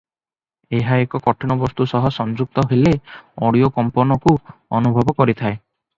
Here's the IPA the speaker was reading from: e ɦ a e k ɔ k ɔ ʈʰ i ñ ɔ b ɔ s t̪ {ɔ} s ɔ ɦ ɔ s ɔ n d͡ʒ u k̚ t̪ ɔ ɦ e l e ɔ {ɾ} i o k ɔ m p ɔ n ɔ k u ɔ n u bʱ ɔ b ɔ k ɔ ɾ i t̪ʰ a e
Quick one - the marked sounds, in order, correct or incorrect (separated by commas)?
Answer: incorrect, incorrect